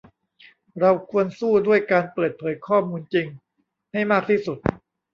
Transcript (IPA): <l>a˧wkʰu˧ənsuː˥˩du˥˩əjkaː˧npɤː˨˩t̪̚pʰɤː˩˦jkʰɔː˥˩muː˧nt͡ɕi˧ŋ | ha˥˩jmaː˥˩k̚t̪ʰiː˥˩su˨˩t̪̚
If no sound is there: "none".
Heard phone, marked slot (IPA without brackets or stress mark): ɾ